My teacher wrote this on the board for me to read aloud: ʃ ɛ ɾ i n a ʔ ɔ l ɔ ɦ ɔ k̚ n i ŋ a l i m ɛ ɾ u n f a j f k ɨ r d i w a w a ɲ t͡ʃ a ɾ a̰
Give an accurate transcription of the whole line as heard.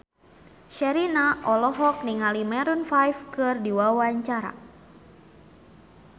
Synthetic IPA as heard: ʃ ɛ ɾ i n a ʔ ɔ l ɔ ɦ ɔ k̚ n i ŋ a l i m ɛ ɾ u n f a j f k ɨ r d i w a w a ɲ t͡ʃ a ɾ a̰

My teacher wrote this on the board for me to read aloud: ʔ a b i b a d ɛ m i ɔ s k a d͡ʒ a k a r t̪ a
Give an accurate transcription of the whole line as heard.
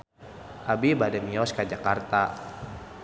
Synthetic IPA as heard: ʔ a b i b a d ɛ m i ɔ s k a d͡ʒ a k a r t̪ a

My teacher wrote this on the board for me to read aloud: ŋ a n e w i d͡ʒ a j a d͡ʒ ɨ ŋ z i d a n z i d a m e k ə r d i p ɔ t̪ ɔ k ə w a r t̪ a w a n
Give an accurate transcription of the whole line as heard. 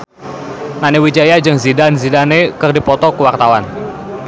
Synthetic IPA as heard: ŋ a n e w i d͡ʒ a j a d͡ʒ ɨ ŋ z i d a n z i d a n e k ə r d i p ɔ t̪ ɔ k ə w a r t̪ a w a n

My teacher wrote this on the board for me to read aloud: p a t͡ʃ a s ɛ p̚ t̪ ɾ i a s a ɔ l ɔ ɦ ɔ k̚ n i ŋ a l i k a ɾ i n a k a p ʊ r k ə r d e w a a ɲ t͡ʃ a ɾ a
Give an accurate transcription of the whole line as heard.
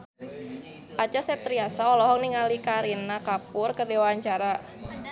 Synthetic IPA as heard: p a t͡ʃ a s ɛ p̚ t̪ ɾ i a s a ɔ l ɔ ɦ ɔ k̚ n i ŋ a l i k a ɾ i n a k a p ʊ r k ə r d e w a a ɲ t͡ʃ a ɾ a

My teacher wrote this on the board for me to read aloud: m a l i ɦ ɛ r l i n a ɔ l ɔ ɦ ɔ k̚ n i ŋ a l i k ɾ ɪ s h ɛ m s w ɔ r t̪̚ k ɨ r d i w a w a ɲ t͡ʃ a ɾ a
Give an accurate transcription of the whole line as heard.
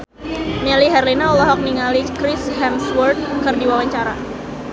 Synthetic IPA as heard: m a l i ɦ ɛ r l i n a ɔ l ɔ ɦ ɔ k̚ n i ŋ a l i k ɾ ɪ s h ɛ m s w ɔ r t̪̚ k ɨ r d i w a w a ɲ t͡ʃ a ɾ a

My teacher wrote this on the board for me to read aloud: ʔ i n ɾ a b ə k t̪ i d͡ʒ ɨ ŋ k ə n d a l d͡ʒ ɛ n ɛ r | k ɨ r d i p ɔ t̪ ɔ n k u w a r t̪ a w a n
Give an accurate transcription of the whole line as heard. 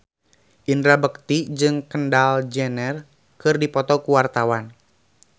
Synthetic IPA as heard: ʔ i n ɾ a b ə k t̪ i d͡ʒ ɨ ŋ k ə n d a l d͡ʒ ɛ n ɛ r | k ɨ r d i p ɔ t̪ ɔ k u w a r t̪ a w a n

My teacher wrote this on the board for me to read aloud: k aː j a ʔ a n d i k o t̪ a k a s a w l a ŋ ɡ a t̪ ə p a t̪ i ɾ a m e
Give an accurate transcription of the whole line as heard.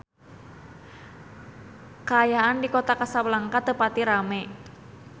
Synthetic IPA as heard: k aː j a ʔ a n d i k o t̪ a k a s a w l a ŋ k a t̪ ə p a t̪ i ɾ a m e

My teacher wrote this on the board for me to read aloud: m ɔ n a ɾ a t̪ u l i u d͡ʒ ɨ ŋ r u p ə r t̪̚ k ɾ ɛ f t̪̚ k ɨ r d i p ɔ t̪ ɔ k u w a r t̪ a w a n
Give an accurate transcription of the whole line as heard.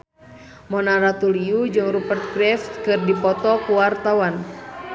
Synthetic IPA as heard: m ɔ n a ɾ a t̪ u l i u d͡ʒ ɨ ŋ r u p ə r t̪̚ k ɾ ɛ f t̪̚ k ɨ r d i p ɔ t̪ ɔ k u w a r t̪ a w a n

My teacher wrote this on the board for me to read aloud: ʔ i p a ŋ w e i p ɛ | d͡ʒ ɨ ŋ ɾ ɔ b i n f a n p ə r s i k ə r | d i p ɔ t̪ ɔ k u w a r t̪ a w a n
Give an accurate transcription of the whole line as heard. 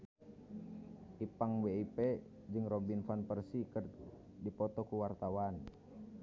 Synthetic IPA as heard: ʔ i p a ŋ w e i p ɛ | d͡ʒ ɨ ŋ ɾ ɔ b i n f a n p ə r s i k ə r | d i p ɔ t̪ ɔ k u w a r t̪ a w a n

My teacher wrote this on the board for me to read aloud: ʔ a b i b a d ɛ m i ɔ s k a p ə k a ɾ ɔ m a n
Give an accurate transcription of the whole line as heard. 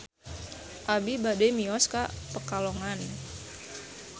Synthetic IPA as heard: ʔ a b i b a d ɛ m i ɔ s k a p ə k a l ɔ ŋ a n

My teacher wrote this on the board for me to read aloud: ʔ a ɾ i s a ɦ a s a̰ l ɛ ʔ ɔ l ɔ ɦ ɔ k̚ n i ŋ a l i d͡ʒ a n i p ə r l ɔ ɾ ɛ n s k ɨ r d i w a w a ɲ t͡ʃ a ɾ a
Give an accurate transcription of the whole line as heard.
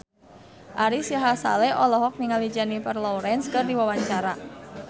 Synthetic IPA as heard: ʔ a ɾ i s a ɦ a s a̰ l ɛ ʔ ɔ l ɔ ɦ ɔ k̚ n i ŋ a l i d͡ʒ a n i p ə r l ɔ ɾ ɛ n s k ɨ r d i w a w a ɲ t͡ʃ a ɾ a

